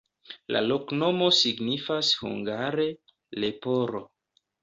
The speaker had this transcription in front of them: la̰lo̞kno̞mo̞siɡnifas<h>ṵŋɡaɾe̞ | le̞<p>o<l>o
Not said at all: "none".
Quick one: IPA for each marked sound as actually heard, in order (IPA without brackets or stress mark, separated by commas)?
h, p, ɾ